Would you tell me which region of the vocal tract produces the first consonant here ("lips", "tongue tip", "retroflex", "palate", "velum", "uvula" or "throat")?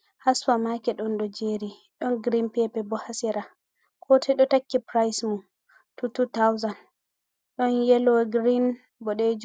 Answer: throat